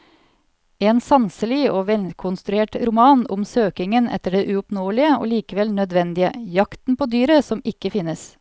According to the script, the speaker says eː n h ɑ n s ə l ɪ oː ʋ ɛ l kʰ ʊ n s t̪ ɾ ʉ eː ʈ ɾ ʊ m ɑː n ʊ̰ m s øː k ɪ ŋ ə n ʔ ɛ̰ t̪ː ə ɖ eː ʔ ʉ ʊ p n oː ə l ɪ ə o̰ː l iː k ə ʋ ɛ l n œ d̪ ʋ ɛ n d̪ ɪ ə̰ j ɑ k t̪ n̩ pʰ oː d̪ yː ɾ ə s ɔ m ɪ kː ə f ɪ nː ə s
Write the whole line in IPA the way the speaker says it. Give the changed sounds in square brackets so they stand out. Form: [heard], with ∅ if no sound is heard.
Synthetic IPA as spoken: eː n [s] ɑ n s ə l ɪ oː ʋ ɛ l kʰ ʊ n s t̪ ɾ ʉ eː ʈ ɾ ʊ m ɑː n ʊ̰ m s øː k ɪ ŋ ə n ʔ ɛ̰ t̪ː ə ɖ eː ʔ ʉ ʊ p n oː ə l ɪ ə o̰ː l iː k ə ʋ ɛ l n œ d̪ ʋ ɛ n d̪ ɪ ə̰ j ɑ k t̪ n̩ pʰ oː d̪ yː ɾ ə s ɔ m ɪ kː ə f ɪ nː ə s

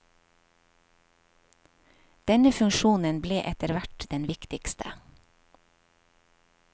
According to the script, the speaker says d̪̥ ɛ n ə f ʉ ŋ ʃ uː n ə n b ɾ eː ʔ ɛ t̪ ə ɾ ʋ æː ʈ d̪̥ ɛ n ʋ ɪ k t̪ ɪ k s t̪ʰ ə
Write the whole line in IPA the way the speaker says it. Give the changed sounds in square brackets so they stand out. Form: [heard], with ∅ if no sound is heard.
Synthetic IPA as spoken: d̪̥ ɛ n ə f ʉ ŋ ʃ uː n ə n b [l] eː ʔ ɛ t̪ ə ɾ ʋ [æ] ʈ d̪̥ ɛ n ʋ ɪ k t̪ ɪ k s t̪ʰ ə

